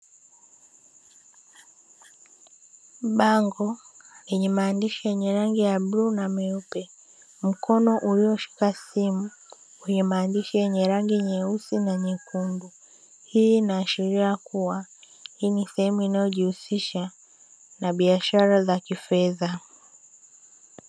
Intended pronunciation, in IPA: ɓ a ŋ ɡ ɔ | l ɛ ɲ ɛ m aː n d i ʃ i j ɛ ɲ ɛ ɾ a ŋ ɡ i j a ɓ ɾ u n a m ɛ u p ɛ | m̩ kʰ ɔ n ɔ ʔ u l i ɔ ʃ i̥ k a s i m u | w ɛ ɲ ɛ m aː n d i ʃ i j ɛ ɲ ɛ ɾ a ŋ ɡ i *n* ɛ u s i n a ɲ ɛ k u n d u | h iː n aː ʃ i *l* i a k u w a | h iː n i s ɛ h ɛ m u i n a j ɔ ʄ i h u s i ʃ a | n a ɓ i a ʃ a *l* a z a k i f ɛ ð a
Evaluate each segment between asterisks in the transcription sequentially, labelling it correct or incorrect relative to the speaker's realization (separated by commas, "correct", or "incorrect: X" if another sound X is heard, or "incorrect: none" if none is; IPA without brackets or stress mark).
incorrect: ɲ, incorrect: ɾ, incorrect: ɾ